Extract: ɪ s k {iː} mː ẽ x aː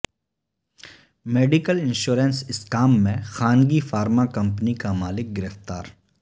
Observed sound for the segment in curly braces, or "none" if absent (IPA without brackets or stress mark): aː